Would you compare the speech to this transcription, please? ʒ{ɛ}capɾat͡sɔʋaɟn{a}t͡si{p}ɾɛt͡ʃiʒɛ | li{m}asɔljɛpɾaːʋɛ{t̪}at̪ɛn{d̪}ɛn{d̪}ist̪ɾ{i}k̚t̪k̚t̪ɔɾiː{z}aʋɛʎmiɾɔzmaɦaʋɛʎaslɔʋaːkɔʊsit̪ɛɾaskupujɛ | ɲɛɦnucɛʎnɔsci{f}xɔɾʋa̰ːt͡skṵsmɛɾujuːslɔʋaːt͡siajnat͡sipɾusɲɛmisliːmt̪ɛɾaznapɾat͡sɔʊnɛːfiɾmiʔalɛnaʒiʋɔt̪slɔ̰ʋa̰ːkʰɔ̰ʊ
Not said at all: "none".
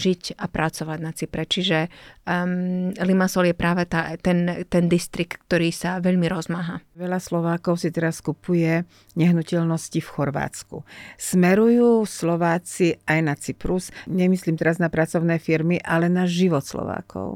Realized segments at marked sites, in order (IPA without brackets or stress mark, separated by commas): i, a, p, m, t̪, t̪, d̪, i, s, f